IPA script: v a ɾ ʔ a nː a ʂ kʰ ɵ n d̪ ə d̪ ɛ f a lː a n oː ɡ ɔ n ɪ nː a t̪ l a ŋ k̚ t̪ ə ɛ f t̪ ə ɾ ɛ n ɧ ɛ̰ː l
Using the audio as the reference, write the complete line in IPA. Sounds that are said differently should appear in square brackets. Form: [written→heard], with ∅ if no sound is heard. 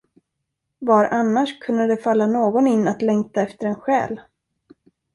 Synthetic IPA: v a ɾ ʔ a nː a ʂ kʰ ɵ n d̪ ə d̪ ɛ f a lː a n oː ɡ ɔ n ɪ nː a t̪ l [a→ɛ] ŋ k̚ t̪ [ə→a] ɛ f t̪ ə ɾ ɛ n ɧ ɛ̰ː l